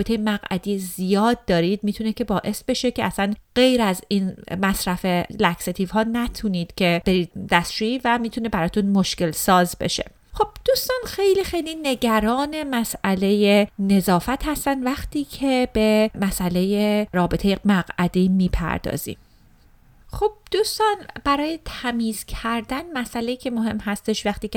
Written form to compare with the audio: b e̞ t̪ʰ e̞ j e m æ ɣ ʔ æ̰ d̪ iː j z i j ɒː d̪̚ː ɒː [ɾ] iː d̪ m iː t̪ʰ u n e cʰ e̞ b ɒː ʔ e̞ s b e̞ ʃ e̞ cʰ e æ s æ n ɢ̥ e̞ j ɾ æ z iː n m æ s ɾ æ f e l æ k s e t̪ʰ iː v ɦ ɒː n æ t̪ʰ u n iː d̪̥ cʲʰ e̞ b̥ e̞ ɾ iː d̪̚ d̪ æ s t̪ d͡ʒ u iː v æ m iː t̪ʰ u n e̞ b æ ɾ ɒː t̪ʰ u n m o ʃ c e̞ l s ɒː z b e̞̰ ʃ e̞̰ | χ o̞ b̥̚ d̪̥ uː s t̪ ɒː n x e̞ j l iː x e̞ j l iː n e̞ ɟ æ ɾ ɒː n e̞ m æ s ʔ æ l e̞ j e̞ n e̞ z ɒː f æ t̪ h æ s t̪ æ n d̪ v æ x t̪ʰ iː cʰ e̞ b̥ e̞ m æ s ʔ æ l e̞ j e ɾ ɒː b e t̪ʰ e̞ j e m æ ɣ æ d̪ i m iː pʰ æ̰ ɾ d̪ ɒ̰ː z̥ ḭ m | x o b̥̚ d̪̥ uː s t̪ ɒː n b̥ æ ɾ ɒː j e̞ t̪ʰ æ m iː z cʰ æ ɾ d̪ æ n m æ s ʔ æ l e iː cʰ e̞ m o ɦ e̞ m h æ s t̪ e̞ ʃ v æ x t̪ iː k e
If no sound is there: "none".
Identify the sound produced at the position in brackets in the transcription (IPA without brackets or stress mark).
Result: ɾ